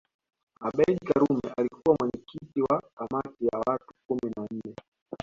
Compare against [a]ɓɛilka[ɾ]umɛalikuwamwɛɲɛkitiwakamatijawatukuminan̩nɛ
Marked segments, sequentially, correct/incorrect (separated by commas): correct, correct